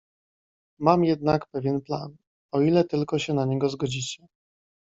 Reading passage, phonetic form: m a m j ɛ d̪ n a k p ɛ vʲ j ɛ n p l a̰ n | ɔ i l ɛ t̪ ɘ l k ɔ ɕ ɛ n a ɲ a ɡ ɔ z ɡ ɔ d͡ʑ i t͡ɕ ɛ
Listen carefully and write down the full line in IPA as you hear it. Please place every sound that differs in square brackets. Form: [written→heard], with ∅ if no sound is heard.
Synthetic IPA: m a m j ɛ d̪ n a k p ɛ vʲ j ɛ n p l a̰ n | ɔ i l ɛ t̪ ɘ l k ɔ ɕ ɛ n a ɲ [a→ɛ] ɡ ɔ z ɡ ɔ d͡ʑ i t͡ɕ ɛ